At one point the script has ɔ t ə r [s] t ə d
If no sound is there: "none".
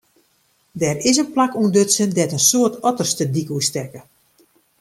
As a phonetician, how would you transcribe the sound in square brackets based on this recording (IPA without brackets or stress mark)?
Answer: s